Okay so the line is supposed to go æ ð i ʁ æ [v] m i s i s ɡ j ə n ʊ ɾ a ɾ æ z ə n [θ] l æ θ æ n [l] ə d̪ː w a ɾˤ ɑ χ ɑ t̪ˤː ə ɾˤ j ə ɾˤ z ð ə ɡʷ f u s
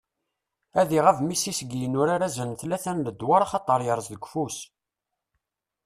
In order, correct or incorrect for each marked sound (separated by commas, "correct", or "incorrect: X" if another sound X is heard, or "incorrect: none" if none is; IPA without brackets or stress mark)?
correct, correct, correct